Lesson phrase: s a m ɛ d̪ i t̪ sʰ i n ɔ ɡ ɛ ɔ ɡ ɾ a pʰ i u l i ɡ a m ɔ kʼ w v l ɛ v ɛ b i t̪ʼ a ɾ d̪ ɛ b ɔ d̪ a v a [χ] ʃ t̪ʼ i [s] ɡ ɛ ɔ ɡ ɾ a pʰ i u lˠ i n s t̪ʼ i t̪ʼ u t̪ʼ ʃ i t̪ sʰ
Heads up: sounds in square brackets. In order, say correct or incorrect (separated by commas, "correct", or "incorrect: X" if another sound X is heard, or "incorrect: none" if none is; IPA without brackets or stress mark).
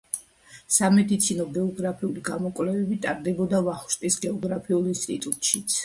correct, correct